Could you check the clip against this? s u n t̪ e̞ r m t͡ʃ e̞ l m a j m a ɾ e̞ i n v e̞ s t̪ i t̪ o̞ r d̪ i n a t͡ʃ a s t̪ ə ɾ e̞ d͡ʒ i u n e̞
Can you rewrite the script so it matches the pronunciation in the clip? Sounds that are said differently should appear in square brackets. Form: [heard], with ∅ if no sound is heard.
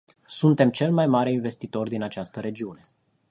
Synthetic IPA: s u n t̪ e̞ [∅] m t͡ʃ e̞ l m a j m a ɾ e̞ i n v e̞ s t̪ i t̪ o̞ r d̪ i n a t͡ʃ a s t̪ ə ɾ e̞ d͡ʒ i u n e̞